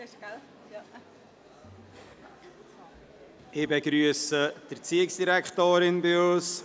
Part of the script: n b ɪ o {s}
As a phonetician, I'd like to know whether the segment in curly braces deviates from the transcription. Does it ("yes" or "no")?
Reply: no